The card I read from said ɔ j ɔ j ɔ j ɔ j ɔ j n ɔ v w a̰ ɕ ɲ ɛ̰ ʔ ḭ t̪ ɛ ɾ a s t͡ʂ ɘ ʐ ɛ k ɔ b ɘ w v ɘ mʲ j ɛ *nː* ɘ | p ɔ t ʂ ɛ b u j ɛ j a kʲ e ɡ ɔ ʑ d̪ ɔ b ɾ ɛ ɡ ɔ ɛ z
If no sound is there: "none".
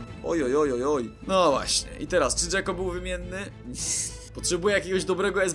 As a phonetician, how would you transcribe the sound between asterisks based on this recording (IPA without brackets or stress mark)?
nː